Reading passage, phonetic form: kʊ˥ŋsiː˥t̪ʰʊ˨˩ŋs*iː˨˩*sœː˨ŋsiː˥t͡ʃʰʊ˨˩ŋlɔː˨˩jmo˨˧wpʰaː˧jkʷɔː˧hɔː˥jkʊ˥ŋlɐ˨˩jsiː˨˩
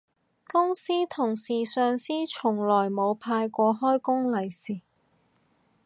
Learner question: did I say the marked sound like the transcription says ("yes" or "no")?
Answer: yes